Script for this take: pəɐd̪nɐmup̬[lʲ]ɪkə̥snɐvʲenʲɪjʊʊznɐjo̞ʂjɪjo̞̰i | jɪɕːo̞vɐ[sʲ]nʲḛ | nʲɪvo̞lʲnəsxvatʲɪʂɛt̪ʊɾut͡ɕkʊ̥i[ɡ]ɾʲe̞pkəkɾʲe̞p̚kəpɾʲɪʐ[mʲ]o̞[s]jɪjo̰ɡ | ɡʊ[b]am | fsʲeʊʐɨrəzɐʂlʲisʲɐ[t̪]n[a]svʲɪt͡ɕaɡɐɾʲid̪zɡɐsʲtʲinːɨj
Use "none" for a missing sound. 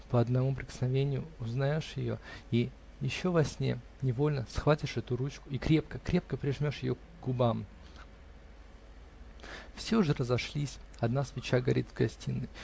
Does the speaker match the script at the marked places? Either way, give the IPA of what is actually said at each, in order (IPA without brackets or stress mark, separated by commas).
ɾʲ, sʲ, k, mʲ, ʂ, b, d̪, a